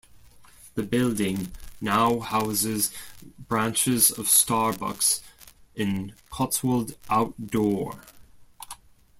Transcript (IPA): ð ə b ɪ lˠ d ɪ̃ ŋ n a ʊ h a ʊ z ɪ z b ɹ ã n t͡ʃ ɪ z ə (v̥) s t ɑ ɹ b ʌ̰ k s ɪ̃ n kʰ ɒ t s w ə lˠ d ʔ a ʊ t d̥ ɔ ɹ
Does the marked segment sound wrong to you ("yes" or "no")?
no